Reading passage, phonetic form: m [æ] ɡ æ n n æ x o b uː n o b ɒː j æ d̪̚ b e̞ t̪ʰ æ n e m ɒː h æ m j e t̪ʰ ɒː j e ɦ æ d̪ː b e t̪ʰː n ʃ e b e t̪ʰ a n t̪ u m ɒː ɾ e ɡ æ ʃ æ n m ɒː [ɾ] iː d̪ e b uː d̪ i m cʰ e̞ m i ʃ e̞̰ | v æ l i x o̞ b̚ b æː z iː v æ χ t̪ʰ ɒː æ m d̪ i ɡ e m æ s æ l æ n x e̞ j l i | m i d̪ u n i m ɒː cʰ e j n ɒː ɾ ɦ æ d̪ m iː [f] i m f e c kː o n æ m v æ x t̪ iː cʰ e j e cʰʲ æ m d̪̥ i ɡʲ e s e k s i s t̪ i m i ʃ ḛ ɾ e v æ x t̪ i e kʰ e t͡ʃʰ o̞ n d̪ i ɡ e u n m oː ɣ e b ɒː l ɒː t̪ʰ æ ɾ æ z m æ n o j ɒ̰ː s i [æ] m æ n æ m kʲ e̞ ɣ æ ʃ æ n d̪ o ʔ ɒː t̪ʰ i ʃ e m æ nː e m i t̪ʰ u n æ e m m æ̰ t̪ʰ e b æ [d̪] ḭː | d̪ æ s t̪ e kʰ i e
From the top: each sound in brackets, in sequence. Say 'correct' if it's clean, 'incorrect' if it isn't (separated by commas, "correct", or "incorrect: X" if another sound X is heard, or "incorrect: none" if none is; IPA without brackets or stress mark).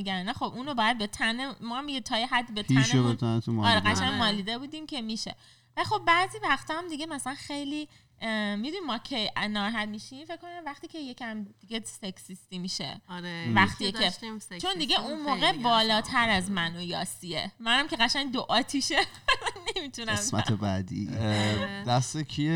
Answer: incorrect: i, incorrect: l, incorrect: ʃ, incorrect: e, correct